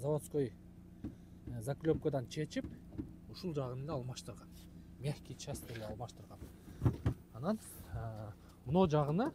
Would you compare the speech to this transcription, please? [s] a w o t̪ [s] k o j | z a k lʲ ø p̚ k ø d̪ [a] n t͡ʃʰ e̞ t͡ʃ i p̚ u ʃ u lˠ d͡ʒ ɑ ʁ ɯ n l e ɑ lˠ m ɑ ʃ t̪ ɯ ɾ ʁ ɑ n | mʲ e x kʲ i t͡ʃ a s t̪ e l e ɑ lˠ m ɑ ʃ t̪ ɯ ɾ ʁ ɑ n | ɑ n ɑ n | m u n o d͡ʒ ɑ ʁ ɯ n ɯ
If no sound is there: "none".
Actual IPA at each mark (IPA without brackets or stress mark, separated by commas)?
z, s, ɑ